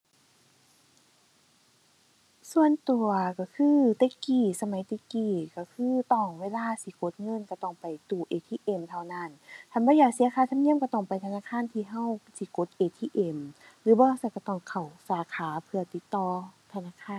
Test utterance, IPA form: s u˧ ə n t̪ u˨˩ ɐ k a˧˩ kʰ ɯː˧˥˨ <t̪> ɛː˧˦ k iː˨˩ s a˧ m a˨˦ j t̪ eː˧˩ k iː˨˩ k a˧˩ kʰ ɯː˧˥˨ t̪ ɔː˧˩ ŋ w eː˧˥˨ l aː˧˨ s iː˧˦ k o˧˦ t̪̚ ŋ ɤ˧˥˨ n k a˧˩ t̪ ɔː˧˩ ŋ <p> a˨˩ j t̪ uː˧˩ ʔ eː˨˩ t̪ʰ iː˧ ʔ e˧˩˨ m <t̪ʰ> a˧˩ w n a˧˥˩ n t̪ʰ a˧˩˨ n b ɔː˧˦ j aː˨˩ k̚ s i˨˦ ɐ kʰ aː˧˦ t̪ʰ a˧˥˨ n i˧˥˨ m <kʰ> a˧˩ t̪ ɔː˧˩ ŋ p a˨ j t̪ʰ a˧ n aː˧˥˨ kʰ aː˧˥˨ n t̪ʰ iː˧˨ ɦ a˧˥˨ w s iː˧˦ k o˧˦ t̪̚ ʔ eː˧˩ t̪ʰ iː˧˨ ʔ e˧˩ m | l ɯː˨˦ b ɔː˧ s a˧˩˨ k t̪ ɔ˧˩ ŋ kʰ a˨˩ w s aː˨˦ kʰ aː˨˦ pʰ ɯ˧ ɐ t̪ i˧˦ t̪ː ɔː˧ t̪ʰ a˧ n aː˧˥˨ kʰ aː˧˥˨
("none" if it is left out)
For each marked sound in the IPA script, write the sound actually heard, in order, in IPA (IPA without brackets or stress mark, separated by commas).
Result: t̪, p, t̪ʰ, k